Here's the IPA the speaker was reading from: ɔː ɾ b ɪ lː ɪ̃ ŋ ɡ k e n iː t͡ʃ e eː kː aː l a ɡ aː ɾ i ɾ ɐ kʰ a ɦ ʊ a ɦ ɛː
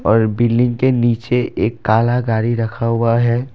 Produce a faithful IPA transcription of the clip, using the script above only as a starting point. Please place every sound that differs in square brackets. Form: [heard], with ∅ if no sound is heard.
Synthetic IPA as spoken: ɔː ɾ b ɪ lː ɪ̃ ŋ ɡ k e n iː t͡ʃ e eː kː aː l a ɡ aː ɾ i ɾ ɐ kʰ a ɦ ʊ a ɦ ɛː